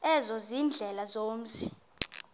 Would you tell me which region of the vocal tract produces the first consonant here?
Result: tongue tip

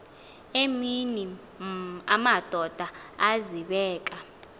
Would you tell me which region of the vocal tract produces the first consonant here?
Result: lips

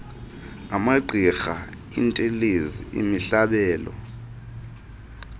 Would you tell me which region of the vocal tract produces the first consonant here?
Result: lips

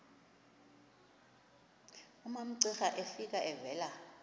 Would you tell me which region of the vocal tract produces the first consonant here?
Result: lips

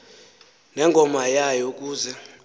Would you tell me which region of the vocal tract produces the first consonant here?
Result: tongue tip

